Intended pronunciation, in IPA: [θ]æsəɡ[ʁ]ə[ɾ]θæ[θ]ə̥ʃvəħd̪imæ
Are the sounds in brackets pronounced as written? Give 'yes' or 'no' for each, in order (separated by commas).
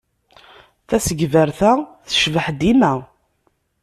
yes, no, yes, yes